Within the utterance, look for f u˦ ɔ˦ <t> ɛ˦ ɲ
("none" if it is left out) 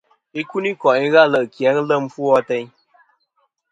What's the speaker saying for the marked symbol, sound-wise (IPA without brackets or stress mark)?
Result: t